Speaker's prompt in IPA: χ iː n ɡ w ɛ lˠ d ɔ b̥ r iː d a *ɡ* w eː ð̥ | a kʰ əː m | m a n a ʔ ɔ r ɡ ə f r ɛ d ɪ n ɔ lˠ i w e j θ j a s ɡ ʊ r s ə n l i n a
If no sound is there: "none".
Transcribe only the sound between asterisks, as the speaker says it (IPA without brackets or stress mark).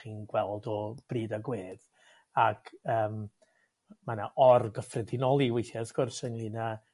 ɡ